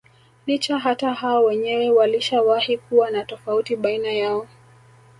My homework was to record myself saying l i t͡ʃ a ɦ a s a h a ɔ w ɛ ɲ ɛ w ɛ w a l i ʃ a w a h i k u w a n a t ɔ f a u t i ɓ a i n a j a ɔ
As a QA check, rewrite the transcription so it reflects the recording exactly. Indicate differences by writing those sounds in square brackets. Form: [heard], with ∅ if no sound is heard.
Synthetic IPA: l i t͡ʃ a ɦ a [t] a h a ɔ w ɛ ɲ ɛ w ɛ w a l i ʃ a w a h i k u w a n a t ɔ f a u t i ɓ a i n a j a ɔ